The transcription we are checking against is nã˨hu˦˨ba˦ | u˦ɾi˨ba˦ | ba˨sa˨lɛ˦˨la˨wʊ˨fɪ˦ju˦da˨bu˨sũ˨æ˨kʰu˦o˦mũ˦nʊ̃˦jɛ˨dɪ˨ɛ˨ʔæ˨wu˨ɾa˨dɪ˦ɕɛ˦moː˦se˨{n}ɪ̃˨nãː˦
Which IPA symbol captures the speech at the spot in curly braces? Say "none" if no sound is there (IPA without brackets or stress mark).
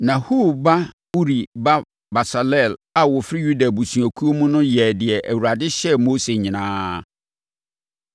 ɲ